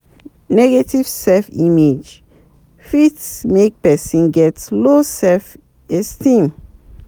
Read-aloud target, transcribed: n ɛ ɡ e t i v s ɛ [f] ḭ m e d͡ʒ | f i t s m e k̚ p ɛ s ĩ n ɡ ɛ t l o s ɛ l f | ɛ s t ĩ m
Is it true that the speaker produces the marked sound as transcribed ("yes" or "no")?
yes